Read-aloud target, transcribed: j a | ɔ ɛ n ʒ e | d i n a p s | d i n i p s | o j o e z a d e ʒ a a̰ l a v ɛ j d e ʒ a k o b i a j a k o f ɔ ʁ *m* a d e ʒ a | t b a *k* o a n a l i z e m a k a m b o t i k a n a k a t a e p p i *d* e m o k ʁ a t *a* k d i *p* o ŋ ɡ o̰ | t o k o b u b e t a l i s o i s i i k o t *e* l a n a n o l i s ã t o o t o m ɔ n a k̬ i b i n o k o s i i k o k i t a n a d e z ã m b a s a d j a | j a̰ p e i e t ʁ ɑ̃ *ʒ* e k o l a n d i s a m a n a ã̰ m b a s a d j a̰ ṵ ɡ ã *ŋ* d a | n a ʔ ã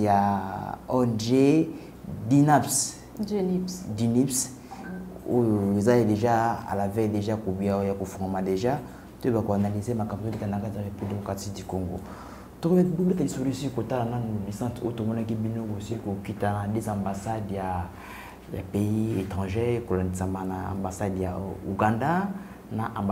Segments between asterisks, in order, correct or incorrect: correct, correct, correct, incorrect: i, incorrect: k, incorrect: a, correct, incorrect: n

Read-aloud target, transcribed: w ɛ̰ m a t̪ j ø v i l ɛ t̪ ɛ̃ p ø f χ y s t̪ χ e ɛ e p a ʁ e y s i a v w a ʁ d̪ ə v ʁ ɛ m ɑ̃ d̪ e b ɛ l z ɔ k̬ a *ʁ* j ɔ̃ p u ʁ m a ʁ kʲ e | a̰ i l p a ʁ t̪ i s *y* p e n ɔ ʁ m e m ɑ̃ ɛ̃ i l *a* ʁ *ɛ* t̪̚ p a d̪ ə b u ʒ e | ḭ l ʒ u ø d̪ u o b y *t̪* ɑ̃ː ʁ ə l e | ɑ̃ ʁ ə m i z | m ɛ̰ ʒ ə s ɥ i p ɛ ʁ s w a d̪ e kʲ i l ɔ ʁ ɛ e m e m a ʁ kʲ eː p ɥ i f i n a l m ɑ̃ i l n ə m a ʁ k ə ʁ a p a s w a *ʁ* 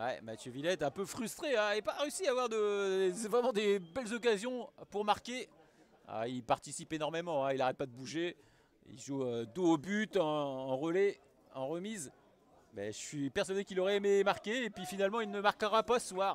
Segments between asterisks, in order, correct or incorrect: incorrect: z, incorrect: i, correct, correct, correct, correct

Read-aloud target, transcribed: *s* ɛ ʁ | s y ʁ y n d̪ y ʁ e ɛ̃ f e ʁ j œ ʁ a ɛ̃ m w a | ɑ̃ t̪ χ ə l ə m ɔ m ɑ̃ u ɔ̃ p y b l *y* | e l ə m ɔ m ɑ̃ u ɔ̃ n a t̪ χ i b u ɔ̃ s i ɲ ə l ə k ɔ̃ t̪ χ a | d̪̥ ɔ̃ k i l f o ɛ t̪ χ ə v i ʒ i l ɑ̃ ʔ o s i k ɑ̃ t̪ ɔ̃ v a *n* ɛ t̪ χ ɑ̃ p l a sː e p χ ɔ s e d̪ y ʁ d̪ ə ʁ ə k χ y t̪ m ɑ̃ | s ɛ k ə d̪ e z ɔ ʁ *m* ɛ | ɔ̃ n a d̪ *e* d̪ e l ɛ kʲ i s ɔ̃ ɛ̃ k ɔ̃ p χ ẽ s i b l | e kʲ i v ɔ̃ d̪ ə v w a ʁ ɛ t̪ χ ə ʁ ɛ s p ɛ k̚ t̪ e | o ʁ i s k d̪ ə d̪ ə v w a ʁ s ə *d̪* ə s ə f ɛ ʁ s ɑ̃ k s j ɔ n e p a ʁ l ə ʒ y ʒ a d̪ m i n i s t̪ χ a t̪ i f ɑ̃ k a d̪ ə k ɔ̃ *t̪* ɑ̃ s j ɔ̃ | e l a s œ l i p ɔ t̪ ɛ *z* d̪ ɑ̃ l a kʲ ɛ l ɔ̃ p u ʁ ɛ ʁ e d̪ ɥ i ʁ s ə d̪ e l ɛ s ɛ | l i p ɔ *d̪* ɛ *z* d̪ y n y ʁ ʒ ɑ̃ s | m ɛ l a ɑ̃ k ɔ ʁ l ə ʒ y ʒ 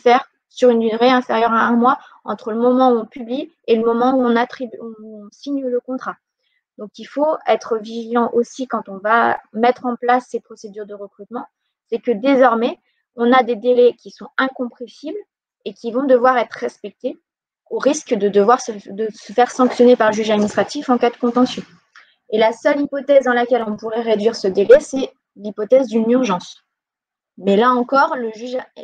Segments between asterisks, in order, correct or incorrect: incorrect: f, incorrect: i, incorrect: m, correct, correct, correct, correct, correct, incorrect: t̪, correct

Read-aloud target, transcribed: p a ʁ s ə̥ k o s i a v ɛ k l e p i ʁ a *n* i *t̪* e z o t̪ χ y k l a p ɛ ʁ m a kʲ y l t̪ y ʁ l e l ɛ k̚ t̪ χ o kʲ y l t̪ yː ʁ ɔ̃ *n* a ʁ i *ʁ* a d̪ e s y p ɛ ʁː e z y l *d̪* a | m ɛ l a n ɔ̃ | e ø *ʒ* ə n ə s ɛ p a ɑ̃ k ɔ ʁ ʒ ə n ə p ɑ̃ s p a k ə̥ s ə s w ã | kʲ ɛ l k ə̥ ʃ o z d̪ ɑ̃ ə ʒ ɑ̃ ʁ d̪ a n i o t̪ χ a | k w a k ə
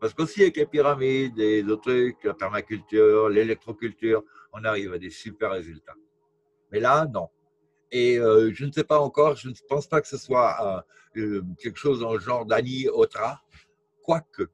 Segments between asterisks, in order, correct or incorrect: incorrect: m, incorrect: d̪, correct, incorrect: v, incorrect: t̪, correct

